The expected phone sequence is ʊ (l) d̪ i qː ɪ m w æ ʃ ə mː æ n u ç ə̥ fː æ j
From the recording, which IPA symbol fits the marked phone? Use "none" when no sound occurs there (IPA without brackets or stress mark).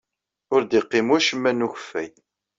ɾ